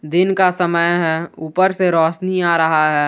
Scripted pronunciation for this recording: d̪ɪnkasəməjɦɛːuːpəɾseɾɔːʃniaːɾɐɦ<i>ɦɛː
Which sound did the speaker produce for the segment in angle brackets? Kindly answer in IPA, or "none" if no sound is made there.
a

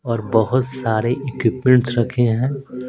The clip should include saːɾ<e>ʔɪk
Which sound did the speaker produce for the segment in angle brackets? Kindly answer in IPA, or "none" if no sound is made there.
e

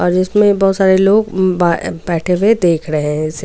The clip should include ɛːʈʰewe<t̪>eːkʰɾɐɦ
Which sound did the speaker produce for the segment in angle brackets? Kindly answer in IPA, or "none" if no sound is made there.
d̪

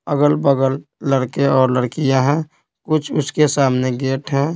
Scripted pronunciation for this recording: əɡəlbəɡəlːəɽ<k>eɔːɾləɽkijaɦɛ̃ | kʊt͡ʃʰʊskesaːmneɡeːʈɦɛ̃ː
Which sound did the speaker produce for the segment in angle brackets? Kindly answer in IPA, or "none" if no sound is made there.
k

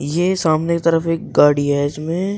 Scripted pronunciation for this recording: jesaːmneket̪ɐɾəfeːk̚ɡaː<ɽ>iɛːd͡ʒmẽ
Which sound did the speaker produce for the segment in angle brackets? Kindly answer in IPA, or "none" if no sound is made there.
ɽ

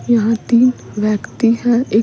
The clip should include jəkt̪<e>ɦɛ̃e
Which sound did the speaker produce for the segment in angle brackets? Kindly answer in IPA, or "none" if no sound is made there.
i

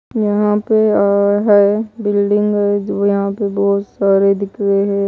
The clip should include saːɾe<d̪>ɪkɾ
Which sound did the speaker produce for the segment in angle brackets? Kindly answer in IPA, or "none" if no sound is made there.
d̪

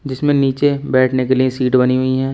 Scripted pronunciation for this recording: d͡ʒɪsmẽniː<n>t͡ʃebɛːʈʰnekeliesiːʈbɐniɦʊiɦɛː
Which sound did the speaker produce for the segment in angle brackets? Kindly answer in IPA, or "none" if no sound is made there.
none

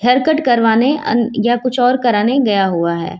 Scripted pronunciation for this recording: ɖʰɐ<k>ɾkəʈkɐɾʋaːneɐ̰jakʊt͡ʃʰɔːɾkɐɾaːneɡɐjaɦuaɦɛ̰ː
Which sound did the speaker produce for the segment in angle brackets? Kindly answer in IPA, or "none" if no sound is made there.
none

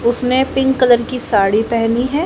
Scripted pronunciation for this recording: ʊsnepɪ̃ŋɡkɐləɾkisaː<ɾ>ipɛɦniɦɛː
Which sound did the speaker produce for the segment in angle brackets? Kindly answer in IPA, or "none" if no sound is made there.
ɽ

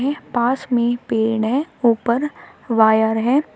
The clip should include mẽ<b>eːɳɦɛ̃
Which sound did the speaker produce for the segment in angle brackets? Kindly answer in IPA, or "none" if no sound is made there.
p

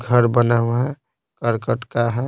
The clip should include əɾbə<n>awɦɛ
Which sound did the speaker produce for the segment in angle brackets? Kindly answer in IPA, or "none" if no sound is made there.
n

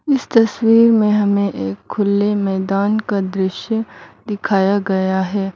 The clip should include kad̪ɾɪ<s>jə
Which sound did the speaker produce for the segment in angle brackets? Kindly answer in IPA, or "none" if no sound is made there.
ʃ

